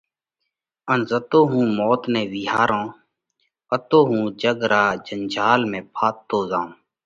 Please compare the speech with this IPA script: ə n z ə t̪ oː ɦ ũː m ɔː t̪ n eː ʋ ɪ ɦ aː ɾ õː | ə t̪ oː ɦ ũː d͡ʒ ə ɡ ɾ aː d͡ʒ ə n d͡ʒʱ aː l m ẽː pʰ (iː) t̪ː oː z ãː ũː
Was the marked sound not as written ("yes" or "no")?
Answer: yes